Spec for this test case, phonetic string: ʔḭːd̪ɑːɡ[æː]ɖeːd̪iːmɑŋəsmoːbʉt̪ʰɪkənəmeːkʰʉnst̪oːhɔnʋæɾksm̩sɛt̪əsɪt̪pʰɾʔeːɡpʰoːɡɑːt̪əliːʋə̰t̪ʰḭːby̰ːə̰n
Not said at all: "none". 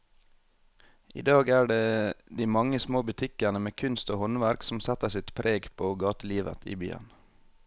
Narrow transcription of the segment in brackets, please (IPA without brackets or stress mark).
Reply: æː